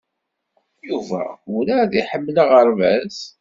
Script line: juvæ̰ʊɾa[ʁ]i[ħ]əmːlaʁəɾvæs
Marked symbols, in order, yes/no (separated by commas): no, yes